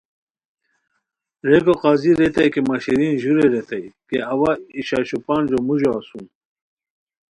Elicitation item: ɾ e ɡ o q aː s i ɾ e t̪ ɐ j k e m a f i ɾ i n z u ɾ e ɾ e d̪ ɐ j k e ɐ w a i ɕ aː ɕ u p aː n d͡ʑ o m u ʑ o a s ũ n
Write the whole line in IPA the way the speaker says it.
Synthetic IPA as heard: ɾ e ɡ o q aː z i ɾ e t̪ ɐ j k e m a ɕ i ɾ i n ʑ u ɾ e ɾ e t̪ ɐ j k e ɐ w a i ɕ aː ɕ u p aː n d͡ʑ o m u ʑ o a s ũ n